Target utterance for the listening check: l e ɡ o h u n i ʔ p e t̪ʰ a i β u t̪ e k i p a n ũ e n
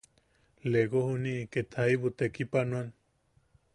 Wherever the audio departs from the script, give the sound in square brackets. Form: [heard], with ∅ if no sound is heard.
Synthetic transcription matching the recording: l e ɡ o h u n i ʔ [k] e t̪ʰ a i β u t̪ e k i p a n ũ [a] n